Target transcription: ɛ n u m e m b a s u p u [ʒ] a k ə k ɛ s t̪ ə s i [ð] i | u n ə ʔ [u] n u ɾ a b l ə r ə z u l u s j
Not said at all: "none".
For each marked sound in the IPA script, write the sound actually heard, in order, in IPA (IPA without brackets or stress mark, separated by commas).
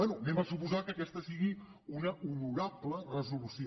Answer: z, ɣ, u